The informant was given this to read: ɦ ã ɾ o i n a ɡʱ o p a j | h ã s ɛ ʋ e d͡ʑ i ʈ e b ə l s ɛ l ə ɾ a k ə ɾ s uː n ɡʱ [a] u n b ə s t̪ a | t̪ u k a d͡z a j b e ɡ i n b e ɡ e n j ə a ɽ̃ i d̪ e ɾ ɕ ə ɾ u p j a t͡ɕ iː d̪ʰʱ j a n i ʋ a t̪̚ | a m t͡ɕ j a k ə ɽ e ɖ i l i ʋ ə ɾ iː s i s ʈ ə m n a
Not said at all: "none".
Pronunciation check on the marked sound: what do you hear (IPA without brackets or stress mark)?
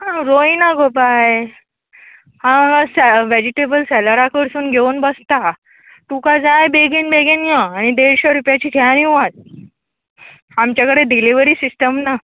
e